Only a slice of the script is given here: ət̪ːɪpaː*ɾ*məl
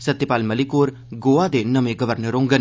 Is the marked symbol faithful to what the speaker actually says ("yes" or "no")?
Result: no